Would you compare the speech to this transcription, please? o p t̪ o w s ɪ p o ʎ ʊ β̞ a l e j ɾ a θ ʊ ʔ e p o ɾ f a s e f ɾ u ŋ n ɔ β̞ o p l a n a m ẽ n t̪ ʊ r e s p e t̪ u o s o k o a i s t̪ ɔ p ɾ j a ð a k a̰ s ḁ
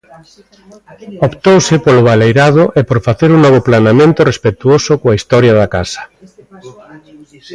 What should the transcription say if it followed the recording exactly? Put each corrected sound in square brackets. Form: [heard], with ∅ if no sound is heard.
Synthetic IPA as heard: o p t̪ o w s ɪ p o [l] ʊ β̞ a l e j ɾ a [ð] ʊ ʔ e p o ɾ f a [θ] e [∅] ɾ u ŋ n ɔ β̞ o p l a n a m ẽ n t̪ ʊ r e s p e t̪ u o s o k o a i s t̪ ɔ [∅] ɾ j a ð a k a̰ s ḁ